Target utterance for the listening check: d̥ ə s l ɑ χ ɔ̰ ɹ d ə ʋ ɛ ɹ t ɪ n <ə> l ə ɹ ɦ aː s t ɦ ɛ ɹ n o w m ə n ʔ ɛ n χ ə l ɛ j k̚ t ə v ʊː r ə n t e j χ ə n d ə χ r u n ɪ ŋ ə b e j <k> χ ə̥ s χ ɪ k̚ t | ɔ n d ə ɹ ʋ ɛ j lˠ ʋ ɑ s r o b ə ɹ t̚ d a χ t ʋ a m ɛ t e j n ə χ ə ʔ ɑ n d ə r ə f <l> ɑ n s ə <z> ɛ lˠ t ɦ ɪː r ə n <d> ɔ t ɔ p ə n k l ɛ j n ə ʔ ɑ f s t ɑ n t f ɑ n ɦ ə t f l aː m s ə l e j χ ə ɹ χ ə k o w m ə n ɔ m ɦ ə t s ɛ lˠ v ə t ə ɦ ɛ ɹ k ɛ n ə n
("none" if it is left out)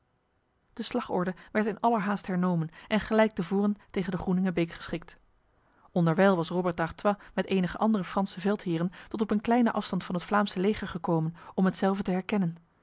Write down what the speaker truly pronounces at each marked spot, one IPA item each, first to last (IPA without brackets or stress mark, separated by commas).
ɑ, k, r, v, t